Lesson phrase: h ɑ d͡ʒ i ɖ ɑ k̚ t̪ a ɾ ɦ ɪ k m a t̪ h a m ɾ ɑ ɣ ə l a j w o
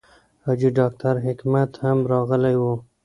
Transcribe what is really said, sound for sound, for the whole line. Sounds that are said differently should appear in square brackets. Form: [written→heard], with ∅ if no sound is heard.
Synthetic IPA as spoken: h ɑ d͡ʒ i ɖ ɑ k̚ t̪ a ɾ ɦ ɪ k m a t̪ h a m ɾ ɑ ɣ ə l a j w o